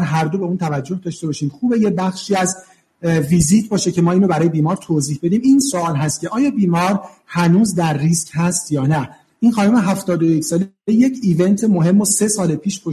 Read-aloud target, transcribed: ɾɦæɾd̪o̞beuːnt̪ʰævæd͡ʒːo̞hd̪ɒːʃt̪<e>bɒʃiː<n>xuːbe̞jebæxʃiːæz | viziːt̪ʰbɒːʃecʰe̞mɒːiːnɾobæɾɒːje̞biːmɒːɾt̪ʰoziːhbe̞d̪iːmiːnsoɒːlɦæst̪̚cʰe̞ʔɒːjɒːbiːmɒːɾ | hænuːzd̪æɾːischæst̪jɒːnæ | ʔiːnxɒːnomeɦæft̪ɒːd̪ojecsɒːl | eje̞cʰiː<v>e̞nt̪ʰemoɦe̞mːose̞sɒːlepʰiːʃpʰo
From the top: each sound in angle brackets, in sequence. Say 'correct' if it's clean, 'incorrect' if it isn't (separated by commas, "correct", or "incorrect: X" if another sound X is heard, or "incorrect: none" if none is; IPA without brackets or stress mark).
correct, incorrect: m, correct